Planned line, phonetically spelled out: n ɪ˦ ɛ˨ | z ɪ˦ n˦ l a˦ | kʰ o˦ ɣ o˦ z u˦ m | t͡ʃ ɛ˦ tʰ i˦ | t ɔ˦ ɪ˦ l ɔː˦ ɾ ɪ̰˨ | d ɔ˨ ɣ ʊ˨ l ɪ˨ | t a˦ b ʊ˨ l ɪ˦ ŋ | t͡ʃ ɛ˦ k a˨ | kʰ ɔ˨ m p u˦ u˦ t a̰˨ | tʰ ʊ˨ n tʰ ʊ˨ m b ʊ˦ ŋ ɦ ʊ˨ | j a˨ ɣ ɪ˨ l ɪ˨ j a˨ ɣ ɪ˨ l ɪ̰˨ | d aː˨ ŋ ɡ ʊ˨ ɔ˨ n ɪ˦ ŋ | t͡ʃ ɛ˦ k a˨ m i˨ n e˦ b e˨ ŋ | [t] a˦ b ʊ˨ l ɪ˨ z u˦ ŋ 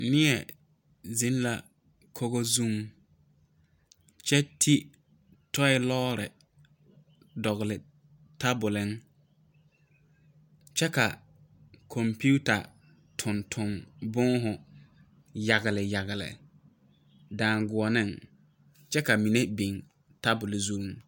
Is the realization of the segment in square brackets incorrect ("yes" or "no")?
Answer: no